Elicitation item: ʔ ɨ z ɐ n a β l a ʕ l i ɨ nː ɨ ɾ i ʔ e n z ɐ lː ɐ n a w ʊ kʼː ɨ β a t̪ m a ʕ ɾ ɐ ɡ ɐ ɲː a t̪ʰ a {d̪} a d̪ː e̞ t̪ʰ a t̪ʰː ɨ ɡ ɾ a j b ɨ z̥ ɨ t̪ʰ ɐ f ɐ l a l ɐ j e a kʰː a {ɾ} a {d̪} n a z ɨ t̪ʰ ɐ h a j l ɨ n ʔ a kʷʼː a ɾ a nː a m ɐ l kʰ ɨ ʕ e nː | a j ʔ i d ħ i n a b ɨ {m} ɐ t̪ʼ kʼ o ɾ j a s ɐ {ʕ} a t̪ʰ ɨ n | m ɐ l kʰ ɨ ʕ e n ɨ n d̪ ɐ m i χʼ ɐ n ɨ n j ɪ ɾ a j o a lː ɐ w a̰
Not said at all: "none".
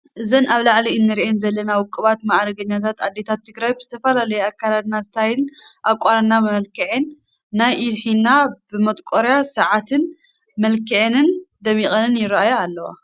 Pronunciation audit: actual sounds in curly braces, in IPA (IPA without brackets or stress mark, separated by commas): t̪, l, d̪, m, ʕ